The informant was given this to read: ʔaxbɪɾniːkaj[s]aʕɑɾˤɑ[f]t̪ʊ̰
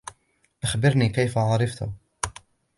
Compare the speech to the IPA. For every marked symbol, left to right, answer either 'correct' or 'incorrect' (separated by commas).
incorrect, correct